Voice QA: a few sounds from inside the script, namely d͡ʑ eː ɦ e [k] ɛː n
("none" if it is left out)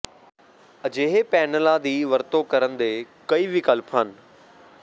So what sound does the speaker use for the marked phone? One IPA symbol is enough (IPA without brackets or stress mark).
p